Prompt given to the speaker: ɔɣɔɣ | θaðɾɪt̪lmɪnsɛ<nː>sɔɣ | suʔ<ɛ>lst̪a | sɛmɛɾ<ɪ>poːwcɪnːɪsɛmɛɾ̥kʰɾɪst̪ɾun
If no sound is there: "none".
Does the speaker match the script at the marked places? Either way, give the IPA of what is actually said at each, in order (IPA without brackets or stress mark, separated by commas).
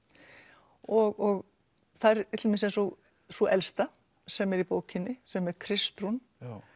n, ɛ, i